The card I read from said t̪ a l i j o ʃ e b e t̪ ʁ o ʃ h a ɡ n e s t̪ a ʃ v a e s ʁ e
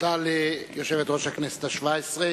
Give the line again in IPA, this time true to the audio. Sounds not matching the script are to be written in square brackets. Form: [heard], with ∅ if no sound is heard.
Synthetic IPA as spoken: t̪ a l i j o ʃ e [v] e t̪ ʁ o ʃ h a [k] n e s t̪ a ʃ v a e s ʁ e